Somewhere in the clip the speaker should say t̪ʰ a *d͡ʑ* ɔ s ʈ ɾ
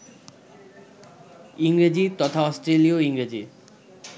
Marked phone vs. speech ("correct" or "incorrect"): incorrect